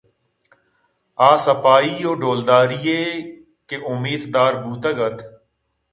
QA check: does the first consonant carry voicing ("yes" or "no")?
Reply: no